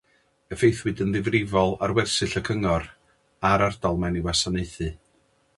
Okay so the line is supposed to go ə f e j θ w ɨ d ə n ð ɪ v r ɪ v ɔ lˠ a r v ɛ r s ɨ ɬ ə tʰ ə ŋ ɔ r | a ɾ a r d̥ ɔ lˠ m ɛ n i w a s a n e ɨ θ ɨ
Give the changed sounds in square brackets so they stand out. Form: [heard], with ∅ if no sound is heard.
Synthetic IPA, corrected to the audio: ə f e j θ w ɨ d ə n ð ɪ v r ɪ v ɔ lˠ a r [w] ɛ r s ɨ ɬ ə [kʰ] ə ŋ ɔ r | a ɾ a r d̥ ɔ lˠ m ɛ n i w a s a n e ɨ θ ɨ